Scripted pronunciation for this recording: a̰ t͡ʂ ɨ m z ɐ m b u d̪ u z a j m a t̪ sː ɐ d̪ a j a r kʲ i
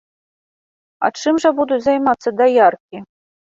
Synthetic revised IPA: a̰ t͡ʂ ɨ m ʐ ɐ b u d̪ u z a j m a t̪ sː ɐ d̪ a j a r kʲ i